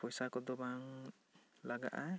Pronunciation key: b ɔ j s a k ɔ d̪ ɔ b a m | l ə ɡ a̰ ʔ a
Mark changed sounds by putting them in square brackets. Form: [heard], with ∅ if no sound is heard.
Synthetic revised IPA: [p] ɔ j s a k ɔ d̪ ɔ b a [ŋ] | l [a] ɡ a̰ ʔ a